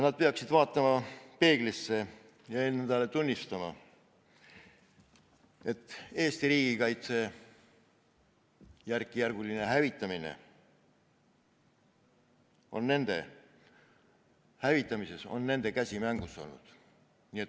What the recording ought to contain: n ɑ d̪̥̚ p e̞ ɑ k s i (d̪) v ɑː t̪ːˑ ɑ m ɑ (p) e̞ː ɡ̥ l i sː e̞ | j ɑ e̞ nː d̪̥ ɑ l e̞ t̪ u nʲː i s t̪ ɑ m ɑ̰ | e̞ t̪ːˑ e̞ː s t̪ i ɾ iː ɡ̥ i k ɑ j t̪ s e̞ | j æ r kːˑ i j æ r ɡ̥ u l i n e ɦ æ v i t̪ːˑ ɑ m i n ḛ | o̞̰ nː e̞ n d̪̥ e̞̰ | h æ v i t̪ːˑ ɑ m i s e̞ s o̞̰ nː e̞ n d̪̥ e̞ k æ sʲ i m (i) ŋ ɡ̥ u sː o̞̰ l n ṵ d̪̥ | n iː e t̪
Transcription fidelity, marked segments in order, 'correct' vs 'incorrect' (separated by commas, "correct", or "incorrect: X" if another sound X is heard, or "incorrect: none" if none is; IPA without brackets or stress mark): correct, correct, incorrect: æ